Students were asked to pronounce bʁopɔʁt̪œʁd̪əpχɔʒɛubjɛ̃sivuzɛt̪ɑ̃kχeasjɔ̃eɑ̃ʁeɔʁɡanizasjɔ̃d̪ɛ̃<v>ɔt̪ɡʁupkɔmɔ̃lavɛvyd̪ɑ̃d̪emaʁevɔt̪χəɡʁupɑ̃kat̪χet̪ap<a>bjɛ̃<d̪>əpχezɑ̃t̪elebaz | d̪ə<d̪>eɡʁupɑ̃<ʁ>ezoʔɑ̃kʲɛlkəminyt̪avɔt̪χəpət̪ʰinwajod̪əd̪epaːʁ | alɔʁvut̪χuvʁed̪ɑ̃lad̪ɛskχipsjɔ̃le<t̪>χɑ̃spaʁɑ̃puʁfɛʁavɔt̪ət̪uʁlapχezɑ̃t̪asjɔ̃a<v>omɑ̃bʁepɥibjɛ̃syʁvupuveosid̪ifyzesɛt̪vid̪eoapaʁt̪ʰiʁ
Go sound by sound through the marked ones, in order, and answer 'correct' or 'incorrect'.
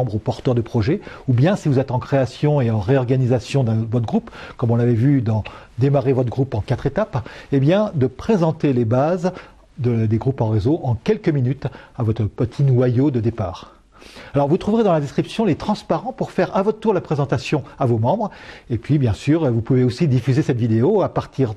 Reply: correct, incorrect: e, correct, correct, correct, correct, correct

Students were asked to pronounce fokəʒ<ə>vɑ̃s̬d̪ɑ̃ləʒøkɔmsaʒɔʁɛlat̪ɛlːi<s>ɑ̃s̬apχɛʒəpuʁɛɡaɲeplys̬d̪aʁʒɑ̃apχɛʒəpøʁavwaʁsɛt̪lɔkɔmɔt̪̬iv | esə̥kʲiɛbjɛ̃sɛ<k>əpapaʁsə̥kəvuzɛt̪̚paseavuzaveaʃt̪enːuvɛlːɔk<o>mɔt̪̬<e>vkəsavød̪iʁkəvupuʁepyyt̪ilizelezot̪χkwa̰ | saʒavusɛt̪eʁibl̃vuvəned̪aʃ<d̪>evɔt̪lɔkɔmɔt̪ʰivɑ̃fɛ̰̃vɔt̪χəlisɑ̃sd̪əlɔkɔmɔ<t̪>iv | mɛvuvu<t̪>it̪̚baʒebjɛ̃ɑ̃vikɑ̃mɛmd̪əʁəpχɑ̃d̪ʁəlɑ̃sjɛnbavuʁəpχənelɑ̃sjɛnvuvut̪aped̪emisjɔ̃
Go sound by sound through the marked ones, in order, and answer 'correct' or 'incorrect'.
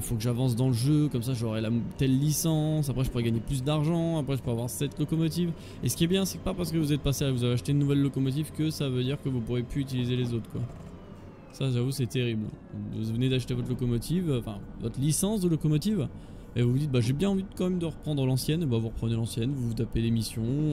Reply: incorrect: a, correct, correct, incorrect: ɔ, incorrect: i, incorrect: t̪, correct, incorrect: d̪

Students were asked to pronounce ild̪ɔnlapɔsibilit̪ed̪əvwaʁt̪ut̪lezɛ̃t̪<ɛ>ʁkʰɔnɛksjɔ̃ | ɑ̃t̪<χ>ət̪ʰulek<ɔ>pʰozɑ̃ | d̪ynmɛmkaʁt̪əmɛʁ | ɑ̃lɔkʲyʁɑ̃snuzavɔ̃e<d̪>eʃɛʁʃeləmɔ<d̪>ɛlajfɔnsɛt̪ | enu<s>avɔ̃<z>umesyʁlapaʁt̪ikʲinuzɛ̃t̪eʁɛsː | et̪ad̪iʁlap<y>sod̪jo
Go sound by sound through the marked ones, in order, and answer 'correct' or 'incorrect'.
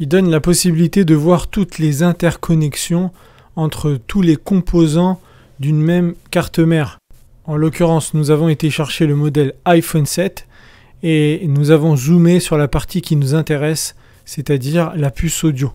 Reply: correct, correct, incorrect: ɔ̃, incorrect: t̪, correct, incorrect: z, correct, correct

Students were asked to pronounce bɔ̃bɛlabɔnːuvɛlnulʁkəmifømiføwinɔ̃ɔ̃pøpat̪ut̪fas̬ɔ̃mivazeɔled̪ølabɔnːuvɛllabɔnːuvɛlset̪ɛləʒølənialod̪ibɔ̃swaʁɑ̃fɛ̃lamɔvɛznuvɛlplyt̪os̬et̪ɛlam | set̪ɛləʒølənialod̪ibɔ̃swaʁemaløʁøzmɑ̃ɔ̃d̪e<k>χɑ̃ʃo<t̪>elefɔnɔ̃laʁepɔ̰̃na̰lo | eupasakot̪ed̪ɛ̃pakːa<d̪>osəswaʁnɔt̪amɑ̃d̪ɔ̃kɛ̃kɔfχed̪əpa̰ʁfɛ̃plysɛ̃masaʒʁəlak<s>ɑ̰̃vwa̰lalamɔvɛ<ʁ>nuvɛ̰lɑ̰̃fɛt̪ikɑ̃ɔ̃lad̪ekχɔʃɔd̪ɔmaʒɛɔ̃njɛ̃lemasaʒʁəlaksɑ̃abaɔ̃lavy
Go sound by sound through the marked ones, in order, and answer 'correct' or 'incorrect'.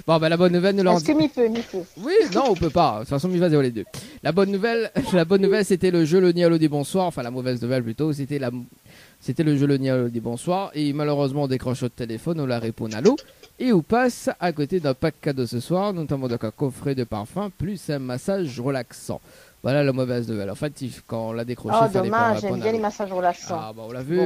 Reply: correct, correct, correct, correct, incorrect: z

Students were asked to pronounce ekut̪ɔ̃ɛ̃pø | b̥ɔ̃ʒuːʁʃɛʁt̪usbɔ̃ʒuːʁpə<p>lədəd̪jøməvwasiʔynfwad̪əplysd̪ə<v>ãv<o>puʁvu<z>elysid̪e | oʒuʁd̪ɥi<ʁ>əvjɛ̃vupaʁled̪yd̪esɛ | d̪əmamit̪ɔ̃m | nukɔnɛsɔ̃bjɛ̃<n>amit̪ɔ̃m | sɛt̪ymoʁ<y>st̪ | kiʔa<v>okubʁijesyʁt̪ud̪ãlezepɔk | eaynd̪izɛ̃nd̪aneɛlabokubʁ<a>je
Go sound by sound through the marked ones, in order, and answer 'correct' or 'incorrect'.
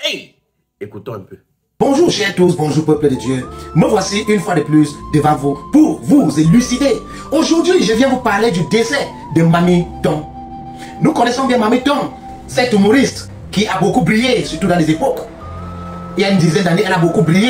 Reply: correct, correct, incorrect: u, correct, incorrect: ʒ, incorrect: m, incorrect: i, incorrect: b, incorrect: i

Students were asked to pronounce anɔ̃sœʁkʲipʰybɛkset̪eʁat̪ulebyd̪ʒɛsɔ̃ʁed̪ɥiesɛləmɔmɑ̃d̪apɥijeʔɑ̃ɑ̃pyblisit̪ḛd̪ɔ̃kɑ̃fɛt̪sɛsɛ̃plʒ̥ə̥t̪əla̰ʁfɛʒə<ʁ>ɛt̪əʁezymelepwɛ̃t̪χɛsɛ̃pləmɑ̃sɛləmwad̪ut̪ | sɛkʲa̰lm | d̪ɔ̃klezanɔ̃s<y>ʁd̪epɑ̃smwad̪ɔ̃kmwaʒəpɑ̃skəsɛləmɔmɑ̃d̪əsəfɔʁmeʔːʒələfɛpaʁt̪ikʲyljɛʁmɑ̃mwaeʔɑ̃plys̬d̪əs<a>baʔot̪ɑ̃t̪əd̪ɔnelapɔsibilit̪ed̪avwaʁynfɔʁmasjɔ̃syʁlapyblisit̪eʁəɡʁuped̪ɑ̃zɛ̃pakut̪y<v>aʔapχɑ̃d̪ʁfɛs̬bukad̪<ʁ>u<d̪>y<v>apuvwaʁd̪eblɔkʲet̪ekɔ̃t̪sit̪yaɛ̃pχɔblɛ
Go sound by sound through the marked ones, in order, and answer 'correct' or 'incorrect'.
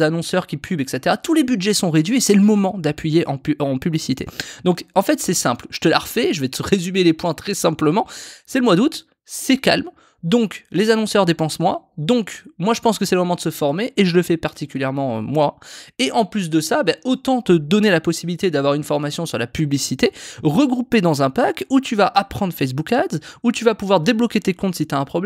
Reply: incorrect: v, incorrect: œ, correct, correct, incorrect: z, incorrect: t̪, correct

